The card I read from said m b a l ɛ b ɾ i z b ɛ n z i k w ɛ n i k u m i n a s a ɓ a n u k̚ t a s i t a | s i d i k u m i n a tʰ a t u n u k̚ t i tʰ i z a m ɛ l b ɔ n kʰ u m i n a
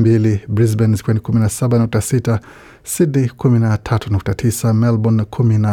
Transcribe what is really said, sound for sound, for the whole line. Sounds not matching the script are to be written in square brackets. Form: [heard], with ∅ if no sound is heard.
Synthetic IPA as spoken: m b [i] l [i] b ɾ i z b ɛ n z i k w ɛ n i k u m i n a s a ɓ a n u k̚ t a s i t a | s i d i k u m i n a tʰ a t u n u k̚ t [a] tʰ i [s] a m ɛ l b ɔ n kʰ u m i n a